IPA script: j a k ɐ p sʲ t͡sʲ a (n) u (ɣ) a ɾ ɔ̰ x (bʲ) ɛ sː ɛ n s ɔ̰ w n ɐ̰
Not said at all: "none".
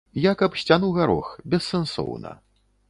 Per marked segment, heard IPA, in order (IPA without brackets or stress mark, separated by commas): n, ɣ, bʲ